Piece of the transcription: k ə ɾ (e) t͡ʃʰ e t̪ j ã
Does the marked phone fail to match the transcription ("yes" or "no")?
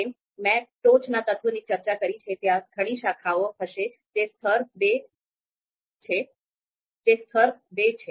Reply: yes